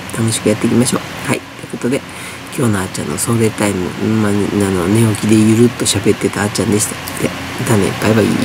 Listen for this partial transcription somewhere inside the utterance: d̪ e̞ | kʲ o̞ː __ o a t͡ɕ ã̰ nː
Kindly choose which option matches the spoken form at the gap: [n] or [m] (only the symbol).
n